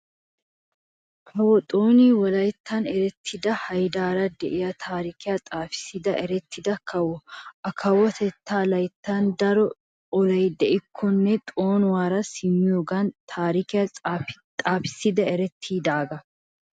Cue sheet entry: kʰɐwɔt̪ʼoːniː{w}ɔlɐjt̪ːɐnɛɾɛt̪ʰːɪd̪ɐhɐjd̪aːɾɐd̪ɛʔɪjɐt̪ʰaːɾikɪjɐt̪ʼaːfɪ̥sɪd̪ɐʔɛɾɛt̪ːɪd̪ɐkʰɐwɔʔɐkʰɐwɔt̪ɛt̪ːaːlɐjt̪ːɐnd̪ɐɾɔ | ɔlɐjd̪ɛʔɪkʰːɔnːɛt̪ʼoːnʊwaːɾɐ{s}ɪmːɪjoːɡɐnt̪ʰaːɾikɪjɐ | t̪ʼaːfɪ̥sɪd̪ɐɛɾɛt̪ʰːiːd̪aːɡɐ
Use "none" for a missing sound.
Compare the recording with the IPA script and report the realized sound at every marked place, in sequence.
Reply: w, s

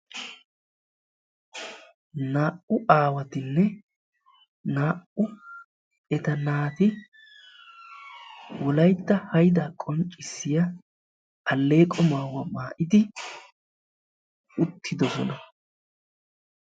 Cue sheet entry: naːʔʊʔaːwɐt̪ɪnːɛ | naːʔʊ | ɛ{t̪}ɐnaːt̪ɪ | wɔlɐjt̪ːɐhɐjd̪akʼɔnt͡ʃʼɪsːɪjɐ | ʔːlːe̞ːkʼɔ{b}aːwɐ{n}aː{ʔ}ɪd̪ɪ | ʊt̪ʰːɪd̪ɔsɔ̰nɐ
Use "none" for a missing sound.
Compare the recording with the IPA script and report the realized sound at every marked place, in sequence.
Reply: t̪, m, m, ʔ

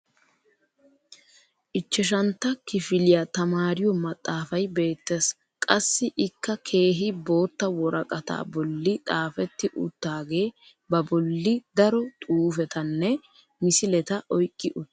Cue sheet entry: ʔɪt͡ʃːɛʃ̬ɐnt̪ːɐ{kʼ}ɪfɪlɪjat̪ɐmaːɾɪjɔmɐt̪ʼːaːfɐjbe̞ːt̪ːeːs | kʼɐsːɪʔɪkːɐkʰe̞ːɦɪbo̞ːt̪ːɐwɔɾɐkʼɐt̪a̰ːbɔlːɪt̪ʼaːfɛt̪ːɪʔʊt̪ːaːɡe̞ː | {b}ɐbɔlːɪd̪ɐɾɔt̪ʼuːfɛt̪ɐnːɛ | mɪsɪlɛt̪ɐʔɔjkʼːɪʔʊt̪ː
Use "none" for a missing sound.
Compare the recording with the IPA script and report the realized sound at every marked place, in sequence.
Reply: k, b

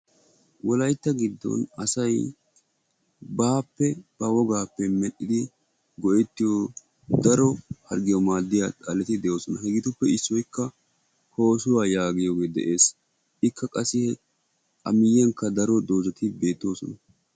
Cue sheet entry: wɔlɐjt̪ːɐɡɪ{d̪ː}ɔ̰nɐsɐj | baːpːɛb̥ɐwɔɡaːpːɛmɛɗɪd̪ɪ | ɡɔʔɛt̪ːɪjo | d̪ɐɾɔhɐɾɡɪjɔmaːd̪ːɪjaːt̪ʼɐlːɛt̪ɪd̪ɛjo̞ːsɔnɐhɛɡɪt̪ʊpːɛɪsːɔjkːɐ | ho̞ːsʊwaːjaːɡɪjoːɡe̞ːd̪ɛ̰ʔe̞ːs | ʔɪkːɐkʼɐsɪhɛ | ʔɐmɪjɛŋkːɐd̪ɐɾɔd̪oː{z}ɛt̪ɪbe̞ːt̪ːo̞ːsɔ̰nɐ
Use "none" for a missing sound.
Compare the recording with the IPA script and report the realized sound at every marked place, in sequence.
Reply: d̪ː, z

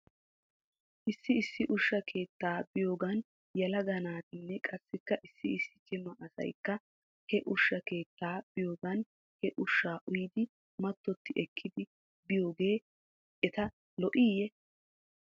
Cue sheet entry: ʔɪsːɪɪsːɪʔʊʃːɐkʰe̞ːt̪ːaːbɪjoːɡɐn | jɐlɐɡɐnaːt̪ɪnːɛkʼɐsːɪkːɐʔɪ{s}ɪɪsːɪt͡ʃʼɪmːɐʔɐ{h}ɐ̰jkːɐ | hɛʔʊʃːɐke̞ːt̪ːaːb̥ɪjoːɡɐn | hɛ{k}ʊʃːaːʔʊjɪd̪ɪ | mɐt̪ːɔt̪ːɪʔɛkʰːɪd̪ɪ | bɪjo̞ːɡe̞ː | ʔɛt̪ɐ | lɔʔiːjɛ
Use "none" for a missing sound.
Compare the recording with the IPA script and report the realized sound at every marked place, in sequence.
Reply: sː, s, ʔ

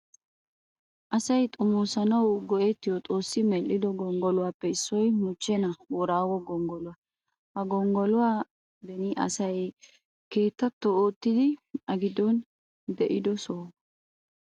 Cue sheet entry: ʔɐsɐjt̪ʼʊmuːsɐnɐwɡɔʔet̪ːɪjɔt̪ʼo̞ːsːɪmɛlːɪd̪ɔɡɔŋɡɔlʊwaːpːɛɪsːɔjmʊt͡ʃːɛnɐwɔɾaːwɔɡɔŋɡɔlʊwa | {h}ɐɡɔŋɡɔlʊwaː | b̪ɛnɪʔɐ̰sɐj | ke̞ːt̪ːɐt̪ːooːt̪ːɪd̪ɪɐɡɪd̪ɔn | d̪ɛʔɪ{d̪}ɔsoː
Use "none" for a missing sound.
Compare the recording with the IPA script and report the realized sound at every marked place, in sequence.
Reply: h, d̪

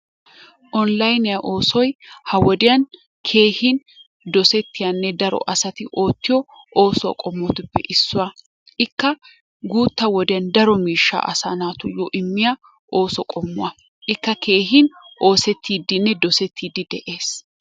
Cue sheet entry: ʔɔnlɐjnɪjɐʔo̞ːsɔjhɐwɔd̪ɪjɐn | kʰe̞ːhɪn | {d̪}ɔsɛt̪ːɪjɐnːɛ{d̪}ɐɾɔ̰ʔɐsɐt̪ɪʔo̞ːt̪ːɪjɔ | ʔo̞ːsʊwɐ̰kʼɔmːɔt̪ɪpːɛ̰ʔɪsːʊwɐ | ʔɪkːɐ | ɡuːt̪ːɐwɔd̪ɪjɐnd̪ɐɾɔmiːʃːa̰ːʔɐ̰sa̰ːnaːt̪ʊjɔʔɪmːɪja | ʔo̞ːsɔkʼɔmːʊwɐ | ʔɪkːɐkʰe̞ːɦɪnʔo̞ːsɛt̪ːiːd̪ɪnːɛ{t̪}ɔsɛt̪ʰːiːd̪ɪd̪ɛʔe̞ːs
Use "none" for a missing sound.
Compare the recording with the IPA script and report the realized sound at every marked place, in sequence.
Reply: d̪, d̪, d̪

